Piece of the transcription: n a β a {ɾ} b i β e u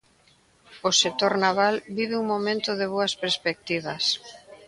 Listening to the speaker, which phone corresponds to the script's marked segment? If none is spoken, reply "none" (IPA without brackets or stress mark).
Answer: l